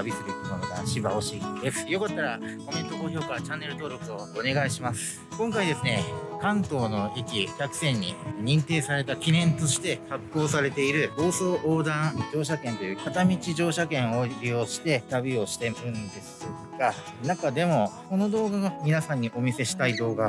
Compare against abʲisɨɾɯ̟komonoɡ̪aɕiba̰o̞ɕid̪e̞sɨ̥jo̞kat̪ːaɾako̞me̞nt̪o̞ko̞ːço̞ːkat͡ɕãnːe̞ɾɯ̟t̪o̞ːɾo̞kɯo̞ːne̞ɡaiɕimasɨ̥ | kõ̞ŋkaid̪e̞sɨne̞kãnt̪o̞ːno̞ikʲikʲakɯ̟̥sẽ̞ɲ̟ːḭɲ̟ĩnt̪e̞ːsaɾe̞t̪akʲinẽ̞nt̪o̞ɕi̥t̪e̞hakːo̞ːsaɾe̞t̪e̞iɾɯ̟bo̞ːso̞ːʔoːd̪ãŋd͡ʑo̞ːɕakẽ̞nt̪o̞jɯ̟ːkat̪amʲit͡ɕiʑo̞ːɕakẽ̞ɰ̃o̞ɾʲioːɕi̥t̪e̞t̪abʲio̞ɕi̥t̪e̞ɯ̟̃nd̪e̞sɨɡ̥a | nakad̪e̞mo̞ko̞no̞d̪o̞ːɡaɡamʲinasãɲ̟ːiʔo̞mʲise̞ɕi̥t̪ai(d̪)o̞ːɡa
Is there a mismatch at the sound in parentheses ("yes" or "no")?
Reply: no